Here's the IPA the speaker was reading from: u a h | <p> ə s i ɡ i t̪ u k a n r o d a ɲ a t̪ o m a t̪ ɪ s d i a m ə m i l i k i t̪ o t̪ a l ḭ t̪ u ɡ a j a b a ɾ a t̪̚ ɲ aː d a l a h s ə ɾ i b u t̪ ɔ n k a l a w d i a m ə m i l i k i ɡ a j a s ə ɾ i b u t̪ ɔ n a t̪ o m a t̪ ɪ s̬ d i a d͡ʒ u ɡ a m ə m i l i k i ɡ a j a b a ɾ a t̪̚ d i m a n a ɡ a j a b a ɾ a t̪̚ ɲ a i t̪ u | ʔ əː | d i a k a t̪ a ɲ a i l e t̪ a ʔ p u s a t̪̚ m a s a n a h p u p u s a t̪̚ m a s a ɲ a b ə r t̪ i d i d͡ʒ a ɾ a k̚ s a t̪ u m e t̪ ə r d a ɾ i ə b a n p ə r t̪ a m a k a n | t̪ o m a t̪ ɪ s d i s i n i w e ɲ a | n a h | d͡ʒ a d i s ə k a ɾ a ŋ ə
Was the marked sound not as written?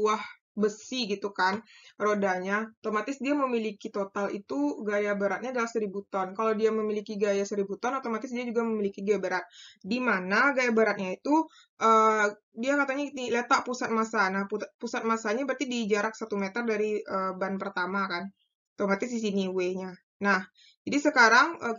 yes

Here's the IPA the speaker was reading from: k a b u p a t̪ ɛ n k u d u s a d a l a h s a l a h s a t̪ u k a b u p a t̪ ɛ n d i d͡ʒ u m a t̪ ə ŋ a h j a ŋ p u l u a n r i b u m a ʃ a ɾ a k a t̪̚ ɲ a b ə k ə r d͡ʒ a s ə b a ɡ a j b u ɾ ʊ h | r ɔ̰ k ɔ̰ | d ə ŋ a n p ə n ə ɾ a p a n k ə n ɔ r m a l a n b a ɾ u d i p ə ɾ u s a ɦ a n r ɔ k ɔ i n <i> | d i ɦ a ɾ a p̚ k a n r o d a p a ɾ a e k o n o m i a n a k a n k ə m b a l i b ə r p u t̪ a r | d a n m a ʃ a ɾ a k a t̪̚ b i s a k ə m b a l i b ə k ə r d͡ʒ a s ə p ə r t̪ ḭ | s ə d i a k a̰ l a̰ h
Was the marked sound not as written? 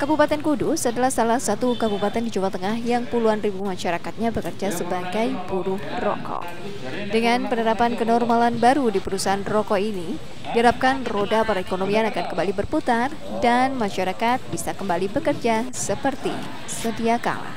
no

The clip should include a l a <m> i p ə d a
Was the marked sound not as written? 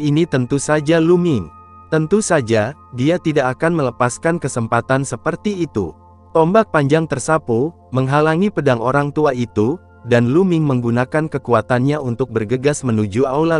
yes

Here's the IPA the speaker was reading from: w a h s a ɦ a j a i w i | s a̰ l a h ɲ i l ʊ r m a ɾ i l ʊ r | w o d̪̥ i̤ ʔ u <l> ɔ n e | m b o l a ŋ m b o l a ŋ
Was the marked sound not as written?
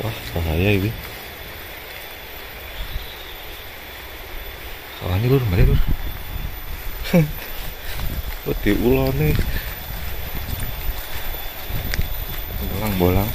no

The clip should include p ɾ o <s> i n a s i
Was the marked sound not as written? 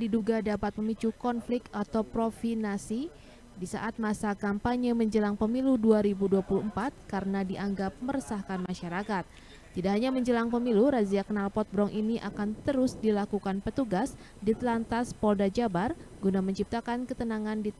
yes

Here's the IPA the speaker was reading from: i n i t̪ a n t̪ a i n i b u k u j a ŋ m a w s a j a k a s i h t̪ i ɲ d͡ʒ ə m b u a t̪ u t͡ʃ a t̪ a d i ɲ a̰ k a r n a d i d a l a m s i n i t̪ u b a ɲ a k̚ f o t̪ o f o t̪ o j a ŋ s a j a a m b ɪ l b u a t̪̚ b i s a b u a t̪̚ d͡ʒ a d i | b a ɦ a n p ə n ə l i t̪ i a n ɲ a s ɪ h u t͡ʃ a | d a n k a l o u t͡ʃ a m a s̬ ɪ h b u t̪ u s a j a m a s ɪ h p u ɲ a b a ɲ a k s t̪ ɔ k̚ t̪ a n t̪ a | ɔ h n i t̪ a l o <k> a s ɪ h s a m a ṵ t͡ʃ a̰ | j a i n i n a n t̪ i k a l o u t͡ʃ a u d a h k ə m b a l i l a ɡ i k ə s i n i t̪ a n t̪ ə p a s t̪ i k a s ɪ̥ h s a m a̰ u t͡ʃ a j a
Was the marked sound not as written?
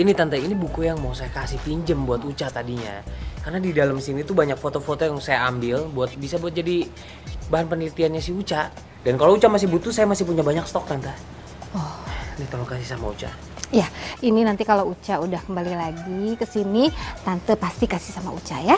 no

